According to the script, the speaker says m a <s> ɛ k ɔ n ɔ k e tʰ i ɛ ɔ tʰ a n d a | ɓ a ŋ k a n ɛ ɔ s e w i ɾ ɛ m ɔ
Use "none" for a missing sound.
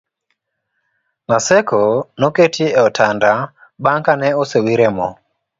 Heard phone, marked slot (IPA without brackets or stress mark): s